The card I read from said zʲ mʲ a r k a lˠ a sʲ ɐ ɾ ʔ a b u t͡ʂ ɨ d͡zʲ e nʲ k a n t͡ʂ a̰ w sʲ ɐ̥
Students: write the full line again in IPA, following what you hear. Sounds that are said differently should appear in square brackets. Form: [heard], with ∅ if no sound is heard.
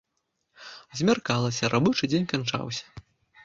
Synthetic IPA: zʲ mʲ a r k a lˠ [ɐ] sʲ ɐ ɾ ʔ a b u t͡ʂ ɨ d͡zʲ e nʲ k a n t͡ʂ a̰ w sʲ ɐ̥